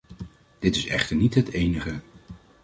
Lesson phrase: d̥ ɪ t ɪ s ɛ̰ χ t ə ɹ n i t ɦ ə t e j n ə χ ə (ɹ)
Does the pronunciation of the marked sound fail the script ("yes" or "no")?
yes